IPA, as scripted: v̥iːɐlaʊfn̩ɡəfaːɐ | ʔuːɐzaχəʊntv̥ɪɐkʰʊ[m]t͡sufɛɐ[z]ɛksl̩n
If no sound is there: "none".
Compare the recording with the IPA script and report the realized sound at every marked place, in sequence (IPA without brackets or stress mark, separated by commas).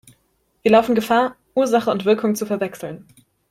ŋ, v